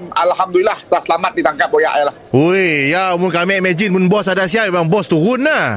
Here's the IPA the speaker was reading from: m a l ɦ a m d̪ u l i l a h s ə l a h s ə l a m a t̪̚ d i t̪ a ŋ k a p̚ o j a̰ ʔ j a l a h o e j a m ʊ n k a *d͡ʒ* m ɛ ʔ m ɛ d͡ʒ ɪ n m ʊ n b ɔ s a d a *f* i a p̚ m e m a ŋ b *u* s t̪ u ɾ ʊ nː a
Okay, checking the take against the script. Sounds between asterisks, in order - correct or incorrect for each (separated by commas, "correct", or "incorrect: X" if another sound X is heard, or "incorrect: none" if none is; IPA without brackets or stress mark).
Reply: incorrect: none, incorrect: s, incorrect: ɔ